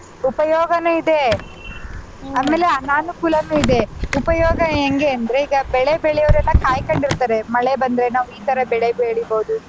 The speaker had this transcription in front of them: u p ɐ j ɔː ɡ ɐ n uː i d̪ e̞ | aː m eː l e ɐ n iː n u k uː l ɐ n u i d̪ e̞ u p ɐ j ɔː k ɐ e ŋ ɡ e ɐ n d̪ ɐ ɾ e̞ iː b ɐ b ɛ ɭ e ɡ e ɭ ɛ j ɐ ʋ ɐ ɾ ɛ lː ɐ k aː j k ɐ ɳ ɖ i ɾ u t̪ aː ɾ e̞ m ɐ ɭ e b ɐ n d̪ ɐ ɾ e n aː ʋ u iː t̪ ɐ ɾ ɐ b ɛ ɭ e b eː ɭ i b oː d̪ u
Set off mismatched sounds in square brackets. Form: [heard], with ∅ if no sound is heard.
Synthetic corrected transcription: u p ɐ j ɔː ɡ ɐ n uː i d̪ e̞ | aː m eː l e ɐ n [aː] n u k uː l ɐ n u i d̪ e̞ u p ɐ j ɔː [ɡ] ɐ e ŋ ɡ e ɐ n d̪ ɐ ɾ e̞ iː [ɡ] ɐ b ɛ ɭ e [b] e ɭ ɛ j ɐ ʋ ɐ ɾ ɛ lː ɐ k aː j k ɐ ɳ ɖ i ɾ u t̪ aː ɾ e̞ m ɐ ɭ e b ɐ n d̪ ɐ ɾ e n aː ʋ u iː t̪ ɐ ɾ ɐ b ɛ ɭ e b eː ɭ i b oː d̪ u